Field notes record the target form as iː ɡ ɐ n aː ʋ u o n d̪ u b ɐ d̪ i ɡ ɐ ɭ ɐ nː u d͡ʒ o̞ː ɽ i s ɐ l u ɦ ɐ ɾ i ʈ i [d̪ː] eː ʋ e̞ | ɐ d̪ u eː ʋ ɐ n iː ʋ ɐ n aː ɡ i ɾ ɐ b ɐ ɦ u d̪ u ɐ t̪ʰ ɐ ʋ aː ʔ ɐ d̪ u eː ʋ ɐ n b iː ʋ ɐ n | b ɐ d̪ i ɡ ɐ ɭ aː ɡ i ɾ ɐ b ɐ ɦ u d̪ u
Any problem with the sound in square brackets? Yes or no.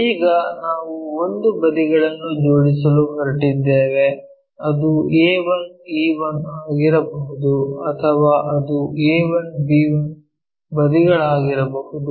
no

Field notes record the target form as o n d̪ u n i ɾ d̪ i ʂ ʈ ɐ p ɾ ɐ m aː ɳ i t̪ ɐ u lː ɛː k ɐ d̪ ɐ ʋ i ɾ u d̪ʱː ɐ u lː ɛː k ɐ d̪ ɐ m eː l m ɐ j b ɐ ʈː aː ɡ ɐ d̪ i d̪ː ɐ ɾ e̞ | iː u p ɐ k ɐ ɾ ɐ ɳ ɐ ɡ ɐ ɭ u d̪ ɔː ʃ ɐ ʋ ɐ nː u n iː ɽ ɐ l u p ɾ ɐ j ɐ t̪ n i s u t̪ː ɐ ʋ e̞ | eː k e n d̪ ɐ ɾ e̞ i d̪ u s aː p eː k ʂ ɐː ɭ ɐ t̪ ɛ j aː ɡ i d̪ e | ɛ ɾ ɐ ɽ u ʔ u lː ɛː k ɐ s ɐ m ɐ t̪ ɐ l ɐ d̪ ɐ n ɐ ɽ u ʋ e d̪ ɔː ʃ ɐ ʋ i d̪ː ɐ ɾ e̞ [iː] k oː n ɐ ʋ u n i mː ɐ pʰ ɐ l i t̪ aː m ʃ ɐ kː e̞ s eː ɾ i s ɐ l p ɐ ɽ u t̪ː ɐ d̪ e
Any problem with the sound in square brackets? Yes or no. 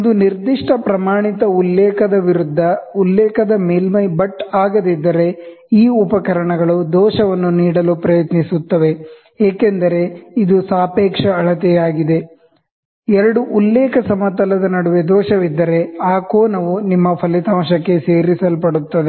yes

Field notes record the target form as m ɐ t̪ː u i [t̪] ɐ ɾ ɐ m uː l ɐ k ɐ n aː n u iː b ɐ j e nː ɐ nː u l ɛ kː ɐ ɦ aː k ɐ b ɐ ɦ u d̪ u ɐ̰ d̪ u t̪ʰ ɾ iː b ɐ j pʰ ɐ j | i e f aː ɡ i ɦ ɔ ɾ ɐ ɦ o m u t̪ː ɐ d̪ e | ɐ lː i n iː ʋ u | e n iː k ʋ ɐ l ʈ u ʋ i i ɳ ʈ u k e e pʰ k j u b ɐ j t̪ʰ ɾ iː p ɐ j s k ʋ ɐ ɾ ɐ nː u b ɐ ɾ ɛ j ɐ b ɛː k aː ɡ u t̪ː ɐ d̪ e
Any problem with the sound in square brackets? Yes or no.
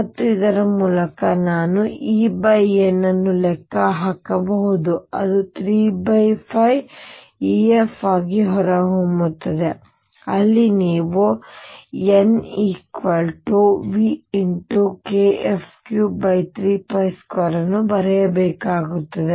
yes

